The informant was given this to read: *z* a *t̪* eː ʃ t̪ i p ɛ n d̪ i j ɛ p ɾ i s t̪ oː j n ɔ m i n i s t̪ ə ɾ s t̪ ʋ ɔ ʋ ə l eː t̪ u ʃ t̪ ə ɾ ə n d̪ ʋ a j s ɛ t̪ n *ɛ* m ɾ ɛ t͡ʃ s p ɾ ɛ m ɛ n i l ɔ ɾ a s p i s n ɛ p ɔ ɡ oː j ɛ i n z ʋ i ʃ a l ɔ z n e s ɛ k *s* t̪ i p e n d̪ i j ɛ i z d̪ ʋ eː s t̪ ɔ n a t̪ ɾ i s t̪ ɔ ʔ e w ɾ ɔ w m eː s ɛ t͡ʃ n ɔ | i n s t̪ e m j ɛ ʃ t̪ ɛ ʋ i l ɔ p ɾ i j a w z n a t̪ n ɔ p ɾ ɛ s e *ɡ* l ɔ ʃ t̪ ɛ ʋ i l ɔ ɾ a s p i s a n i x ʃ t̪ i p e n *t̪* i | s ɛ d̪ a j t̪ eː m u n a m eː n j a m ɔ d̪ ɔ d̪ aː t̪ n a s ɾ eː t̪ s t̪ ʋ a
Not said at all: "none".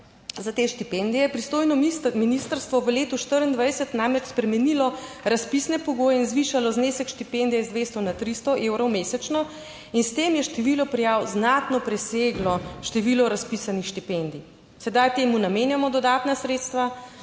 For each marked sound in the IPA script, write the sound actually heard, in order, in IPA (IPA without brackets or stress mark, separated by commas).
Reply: z, t̪, a, ʃ, ɡ, d̪